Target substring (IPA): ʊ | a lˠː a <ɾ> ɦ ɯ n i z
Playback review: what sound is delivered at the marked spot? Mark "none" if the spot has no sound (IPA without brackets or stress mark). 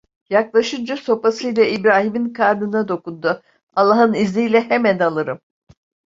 none